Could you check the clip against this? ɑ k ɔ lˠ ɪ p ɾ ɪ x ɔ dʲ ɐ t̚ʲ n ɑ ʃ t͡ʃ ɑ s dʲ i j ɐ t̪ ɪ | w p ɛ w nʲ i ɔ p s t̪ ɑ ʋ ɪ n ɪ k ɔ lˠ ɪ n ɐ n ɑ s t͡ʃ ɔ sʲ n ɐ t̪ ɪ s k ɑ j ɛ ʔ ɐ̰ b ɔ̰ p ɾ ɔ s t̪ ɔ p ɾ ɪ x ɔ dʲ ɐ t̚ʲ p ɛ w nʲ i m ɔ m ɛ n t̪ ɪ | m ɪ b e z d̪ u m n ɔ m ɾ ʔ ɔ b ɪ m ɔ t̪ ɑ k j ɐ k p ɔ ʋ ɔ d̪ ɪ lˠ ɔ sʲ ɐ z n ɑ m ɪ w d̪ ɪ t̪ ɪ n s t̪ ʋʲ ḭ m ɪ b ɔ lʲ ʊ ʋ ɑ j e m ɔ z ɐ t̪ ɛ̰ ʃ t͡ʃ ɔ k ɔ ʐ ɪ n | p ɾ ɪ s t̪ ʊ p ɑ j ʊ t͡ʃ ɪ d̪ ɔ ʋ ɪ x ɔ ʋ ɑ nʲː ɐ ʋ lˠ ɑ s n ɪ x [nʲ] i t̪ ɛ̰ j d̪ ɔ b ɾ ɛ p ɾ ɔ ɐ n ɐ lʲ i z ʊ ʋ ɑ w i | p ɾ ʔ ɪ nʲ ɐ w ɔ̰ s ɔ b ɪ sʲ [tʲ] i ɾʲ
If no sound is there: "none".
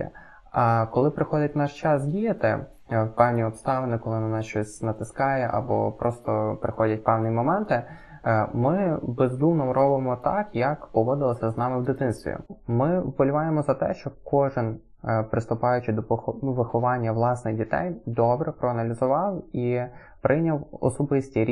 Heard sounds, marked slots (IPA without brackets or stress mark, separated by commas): dʲ, tʲ